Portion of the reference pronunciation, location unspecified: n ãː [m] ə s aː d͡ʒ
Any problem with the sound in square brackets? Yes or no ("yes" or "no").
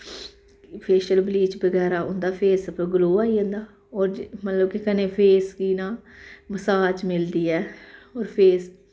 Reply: no